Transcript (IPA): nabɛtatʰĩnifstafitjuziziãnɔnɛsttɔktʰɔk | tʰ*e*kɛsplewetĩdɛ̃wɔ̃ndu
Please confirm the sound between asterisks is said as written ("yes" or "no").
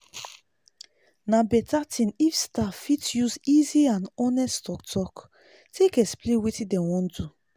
yes